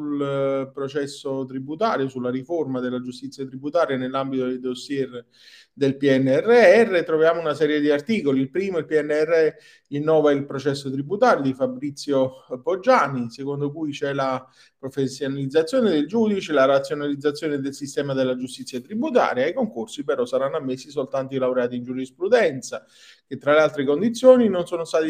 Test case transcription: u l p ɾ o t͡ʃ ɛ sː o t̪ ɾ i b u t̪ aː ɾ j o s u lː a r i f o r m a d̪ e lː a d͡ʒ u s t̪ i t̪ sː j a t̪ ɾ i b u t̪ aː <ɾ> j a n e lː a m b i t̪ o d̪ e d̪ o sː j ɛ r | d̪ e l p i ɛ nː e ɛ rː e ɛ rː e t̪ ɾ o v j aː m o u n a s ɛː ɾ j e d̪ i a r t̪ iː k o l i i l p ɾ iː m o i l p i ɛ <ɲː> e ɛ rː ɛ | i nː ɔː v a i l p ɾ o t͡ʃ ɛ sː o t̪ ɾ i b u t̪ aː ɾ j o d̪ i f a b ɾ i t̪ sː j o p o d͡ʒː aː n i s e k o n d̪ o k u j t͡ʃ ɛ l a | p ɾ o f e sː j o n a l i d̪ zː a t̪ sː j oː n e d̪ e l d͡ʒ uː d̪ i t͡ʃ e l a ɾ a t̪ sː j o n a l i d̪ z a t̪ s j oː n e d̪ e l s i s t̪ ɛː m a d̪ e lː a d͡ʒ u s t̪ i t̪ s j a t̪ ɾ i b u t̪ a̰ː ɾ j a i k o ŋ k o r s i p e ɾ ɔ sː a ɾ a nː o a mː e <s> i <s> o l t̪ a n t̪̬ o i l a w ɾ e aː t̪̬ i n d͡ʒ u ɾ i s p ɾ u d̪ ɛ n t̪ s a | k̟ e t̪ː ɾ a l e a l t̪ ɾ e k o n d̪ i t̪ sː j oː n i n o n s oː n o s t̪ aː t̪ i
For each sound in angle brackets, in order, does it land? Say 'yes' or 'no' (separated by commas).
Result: yes, no, no, yes